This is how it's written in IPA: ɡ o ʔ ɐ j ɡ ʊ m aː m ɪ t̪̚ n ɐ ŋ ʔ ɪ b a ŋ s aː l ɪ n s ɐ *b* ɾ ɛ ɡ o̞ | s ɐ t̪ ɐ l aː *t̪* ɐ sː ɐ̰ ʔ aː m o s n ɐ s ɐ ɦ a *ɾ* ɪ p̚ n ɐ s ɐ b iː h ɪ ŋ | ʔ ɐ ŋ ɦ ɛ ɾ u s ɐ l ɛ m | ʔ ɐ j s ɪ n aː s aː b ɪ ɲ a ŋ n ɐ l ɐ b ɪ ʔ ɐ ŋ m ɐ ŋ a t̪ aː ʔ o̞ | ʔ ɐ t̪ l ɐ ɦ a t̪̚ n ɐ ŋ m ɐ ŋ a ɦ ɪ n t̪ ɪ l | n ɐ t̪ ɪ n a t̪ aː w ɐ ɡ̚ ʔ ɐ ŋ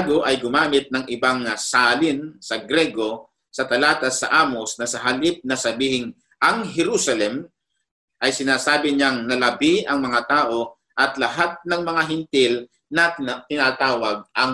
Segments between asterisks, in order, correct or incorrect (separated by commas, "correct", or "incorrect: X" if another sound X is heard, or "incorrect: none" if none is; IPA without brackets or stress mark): incorrect: ɡ, correct, incorrect: l